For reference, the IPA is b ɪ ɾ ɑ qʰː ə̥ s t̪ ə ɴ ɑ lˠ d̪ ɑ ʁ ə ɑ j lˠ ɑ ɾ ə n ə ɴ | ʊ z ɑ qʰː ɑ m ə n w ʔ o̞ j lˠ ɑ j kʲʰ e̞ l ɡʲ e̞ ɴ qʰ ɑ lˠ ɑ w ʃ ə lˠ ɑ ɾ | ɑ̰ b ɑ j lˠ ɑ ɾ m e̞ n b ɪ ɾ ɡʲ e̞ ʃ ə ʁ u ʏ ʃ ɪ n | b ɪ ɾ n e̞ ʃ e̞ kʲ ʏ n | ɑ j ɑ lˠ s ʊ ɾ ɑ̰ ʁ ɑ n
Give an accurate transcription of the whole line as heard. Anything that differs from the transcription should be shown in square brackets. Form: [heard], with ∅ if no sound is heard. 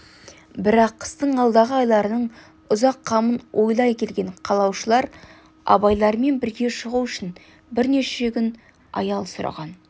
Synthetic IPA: b ɪ ɾ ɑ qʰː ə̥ s t̪ ə ɴ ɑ lˠ d̪ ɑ ʁ ə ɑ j lˠ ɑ ɾ ə n ə ɴ | ʊ z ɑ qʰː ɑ m ə n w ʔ o̞ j lˠ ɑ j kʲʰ e̞ l ɡʲ e̞ ɴ qʰ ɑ lˠ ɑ w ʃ ə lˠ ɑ ɾ | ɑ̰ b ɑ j lˠ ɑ ɾ m e̞ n b ɪ ɾ ɡʲ e̞ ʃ ə ʁ u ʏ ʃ ɪ n | b ɪ ɾ n e̞ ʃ e̞ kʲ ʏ n | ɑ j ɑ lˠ s ʊ ɾ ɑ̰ ʁ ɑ n

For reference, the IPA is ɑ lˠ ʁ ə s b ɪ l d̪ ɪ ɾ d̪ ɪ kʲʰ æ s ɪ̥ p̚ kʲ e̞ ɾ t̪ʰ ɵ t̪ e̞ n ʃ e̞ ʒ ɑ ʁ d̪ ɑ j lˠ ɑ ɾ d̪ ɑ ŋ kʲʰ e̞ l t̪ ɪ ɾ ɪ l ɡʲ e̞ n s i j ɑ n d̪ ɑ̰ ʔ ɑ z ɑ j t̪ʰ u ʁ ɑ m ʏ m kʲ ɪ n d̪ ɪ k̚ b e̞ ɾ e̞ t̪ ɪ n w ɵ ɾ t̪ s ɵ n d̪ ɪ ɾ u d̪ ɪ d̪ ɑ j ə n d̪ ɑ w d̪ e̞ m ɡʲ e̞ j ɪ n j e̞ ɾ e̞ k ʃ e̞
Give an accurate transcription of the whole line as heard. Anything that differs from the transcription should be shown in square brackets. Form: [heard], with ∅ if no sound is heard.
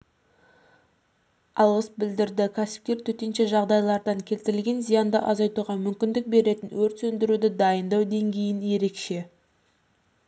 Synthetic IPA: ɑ lˠ ʁ ə s b ɪ l d̪ ɪ ɾ d̪ ɪ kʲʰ æ s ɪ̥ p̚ kʲ e̞ ɾ t̪ʰ ɵ t̪ e̞ n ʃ e̞ ʒ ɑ ʁ d̪ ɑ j lˠ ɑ ɾ d̪ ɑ ŋ kʲʰ e̞ l t̪ ɪ ɾ ɪ l ɡʲ e̞ n [z] i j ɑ n d̪ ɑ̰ ʔ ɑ z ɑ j [t̪] u ʁ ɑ m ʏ m kʲ ɪ n d̪ ɪ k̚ b e̞ ɾ e̞ t̪ ɪ n w ɵ ɾ t̪ s ɵ n d̪ ɪ ɾ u d̪ ɪ d̪ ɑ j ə n d̪ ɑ w d̪ e̞ [ŋ] ɡʲ e̞ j ɪ n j e̞ ɾ e̞ k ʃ e̞

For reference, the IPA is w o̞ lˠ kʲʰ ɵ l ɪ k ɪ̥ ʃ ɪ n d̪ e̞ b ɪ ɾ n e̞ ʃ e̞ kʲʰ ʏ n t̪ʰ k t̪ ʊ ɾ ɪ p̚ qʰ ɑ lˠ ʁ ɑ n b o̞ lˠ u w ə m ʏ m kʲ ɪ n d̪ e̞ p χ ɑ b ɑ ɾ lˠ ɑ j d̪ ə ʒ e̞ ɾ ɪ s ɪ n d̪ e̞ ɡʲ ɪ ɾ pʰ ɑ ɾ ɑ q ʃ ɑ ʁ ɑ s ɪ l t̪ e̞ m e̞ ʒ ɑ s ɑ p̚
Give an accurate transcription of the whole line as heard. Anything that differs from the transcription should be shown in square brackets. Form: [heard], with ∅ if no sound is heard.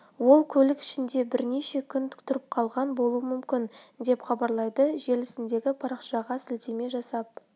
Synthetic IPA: w o̞ lˠ kʲʰ ɵ l ɪ k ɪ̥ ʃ ɪ n d̪ e̞ b ɪ ɾ n e̞ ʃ e̞ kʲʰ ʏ n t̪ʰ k t̪ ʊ ɾ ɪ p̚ qʰ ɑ lˠ ʁ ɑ n b o̞ lˠ u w ə m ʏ m kʲ ɪ n d̪ e̞ p χ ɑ b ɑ ɾ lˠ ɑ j d̪ ə ʒ e̞ [l] ɪ s ɪ n d̪ e̞ ɡʲ ɪ [∅] pʰ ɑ ɾ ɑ q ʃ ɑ ʁ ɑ s ɪ l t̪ e̞ m e̞ ʒ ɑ s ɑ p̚

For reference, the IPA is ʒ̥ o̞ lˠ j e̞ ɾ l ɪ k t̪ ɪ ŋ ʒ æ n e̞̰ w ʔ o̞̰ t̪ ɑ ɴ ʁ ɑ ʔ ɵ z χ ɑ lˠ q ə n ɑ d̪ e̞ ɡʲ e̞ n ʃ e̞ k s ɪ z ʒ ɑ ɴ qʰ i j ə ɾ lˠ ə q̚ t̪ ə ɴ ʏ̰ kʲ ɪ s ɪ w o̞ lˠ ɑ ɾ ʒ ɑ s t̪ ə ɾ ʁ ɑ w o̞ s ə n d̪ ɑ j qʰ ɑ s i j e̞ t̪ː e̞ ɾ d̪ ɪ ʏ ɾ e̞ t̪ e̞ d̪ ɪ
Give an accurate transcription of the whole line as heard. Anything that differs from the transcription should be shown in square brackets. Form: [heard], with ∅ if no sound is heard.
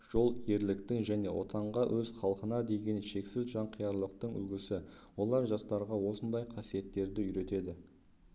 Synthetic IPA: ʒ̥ o̞ lˠ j e̞ ɾ l ɪ k t̪ ɪ ŋ ʒ æ n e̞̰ w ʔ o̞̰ t̪ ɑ ɴ ʁ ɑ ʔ ɵ z χ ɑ lˠ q ə n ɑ d̪ e̞ ɡʲ e̞ n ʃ e̞ k s ɪ z ʒ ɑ ɴ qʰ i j [ɑ] ɾ lˠ ə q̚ t̪ ə ɴ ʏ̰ [ɡʲ] ɪ s ɪ w o̞ lˠ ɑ ɾ ʒ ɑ s t̪ [ɑ] ɾ ʁ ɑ w o̞ s ə n d̪ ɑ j qʰ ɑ s i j e̞ t̪ː e̞ ɾ d̪ ɪ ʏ ɾ e̞ t̪ e̞ d̪ ɪ

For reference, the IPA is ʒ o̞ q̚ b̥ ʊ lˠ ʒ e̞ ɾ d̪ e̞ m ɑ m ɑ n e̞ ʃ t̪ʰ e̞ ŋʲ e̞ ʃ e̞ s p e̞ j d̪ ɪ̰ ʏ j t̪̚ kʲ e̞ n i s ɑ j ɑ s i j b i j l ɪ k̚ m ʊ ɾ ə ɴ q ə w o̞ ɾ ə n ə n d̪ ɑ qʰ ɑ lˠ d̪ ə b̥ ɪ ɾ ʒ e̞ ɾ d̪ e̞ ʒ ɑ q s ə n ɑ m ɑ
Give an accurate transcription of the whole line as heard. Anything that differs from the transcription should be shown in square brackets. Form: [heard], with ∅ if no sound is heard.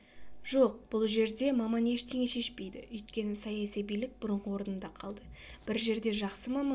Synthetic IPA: ʒ o̞ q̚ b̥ ʊ lˠ ʒ e̞ ɾ d̪ e̞ m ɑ m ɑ n e̞ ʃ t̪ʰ e̞ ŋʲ e̞ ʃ e̞ [ʃ] p e̞ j d̪ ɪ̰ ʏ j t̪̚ kʲ e̞ n [ɪ] s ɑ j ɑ s i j b i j l ɪ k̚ [b] ʊ ɾ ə ɴ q ə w o̞ ɾ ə n ə n d̪ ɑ qʰ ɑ lˠ d̪ ə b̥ ɪ ɾ ʒ e̞ ɾ d̪ e̞ ʒ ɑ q s ə [m] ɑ m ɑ

